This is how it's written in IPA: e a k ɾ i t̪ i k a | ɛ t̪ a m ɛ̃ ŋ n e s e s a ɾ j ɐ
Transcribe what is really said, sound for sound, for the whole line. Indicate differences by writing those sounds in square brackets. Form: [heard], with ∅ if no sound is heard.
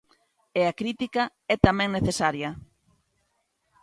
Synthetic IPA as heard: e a k ɾ i t̪ i k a | ɛ t̪ a m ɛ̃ ŋ n e [θ] e s a ɾ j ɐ